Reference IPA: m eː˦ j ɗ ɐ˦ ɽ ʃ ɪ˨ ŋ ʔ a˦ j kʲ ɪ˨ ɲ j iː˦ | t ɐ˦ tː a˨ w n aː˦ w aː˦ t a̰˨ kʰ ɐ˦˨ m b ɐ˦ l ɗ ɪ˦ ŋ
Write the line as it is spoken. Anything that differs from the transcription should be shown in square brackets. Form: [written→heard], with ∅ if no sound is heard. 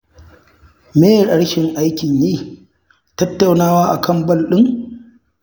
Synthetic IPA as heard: m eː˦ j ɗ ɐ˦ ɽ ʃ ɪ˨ ŋ ʔ a˦ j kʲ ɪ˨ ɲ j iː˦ | t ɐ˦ tː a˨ w n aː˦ w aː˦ [t→ʔ] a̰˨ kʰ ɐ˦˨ m b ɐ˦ l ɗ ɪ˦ ŋ